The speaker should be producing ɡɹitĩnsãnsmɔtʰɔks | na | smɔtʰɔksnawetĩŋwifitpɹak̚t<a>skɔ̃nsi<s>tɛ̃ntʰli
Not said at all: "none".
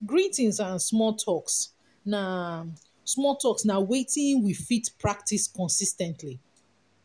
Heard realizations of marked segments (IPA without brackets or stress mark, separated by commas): i, s